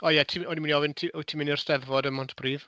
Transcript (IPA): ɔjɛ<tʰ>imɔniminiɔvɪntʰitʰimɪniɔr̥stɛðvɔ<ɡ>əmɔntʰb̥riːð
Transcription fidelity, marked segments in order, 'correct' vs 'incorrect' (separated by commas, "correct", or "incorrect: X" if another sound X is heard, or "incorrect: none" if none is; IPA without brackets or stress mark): correct, incorrect: d